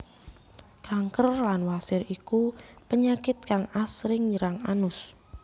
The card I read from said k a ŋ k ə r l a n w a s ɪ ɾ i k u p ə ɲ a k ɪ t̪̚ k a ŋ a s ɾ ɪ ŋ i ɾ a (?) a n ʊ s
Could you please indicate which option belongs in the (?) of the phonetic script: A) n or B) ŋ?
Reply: B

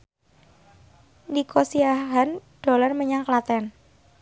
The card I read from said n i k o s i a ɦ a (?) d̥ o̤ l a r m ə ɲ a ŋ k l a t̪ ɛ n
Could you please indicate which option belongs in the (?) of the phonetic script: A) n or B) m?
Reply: A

